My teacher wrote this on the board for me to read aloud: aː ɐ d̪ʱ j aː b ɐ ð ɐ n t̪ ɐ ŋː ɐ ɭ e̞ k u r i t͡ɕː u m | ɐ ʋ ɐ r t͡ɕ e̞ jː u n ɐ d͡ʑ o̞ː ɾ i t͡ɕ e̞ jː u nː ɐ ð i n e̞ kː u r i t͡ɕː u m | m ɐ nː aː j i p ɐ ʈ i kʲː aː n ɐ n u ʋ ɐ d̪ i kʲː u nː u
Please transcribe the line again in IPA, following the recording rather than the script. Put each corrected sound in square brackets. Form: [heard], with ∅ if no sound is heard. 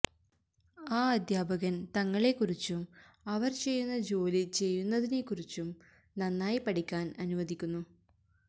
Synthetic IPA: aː ɐ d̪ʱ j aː b ɐ [ɣ] ɐ n t̪ ɐ ŋː ɐ ɭ e̞ k u r i t͡ɕː u m | ɐ ʋ ɐ r t͡ɕ e̞ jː u [nː] ɐ d͡ʑ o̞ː [l] i t͡ɕ e̞ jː u nː ɐ ð i n e̞ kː u r i t͡ɕː u m | [n] ɐ nː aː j i p ɐ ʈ i kʲː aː n ɐ n u ʋ ɐ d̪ i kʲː u nː u